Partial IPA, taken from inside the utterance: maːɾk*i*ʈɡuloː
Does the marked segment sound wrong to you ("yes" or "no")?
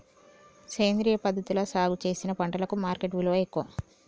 yes